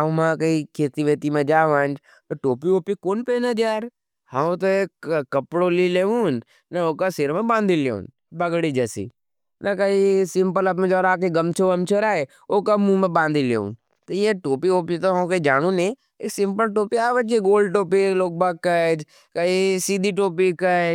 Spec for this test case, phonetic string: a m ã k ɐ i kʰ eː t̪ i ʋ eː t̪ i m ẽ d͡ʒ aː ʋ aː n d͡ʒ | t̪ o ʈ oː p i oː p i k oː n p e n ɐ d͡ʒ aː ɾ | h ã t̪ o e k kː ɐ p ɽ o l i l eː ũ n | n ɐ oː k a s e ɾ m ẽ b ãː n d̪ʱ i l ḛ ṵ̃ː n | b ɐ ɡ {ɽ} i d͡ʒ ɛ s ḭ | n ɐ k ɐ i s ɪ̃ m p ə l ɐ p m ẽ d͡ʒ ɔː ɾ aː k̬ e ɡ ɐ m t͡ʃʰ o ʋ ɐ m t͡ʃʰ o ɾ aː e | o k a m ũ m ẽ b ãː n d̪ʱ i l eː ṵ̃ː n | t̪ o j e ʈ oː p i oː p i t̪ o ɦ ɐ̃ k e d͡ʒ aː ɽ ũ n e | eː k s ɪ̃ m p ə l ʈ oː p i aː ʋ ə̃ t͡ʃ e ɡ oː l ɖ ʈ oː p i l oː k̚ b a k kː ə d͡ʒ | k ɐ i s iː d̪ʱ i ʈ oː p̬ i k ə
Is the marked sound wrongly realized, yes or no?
no